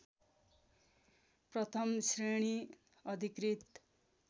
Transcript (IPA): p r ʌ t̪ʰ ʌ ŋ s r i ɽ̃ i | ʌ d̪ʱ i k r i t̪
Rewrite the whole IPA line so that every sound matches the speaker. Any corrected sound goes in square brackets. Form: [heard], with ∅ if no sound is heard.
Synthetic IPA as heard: p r ʌ t̪ʰ ʌ [m] s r [e] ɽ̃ i | ʌ d̪ʱ i k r i t̪